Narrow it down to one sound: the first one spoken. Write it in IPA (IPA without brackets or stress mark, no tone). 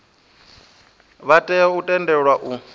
β